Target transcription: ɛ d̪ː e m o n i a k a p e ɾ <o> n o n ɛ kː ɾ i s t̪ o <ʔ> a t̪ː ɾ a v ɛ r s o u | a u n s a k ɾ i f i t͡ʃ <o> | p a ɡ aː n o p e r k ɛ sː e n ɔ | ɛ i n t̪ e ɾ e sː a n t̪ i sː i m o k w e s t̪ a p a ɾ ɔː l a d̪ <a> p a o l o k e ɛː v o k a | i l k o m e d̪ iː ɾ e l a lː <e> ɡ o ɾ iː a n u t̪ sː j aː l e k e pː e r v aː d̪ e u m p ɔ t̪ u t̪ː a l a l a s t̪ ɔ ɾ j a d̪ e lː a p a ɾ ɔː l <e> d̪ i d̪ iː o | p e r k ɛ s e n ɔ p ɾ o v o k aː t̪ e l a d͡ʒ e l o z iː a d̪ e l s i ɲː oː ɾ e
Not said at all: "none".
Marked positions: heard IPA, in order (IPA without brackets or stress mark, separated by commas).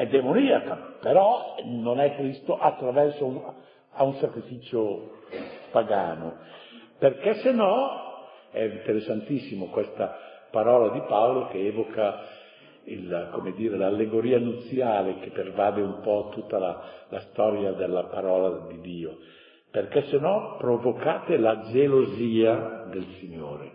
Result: ɔ, ʔ, o, i, e, a